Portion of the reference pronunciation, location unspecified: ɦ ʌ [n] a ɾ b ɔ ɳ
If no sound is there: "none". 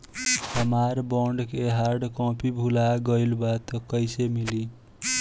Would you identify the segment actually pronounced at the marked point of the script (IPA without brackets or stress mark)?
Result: m